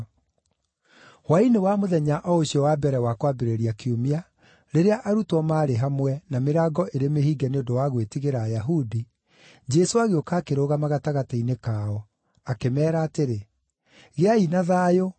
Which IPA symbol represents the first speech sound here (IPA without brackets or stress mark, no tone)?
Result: w